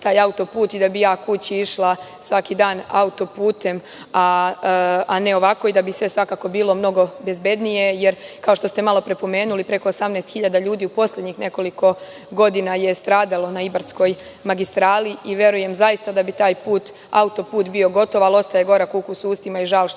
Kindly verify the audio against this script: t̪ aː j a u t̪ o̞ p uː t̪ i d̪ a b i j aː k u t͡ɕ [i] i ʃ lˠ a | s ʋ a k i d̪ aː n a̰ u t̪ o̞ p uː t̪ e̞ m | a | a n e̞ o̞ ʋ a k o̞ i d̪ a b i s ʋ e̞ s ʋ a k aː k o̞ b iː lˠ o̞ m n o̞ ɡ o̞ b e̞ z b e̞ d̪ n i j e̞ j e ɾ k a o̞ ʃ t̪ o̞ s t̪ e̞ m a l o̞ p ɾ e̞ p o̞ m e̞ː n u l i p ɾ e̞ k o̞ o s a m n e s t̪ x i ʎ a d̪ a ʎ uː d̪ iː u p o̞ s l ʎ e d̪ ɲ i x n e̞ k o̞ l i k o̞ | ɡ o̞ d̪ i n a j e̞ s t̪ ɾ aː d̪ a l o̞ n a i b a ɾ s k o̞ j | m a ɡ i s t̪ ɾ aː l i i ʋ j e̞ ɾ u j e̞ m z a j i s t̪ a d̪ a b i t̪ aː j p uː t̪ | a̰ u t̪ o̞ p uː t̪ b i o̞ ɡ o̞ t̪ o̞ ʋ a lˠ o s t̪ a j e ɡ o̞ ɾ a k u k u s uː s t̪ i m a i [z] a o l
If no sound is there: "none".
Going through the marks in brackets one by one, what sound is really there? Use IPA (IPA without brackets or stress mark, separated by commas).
i, ʒ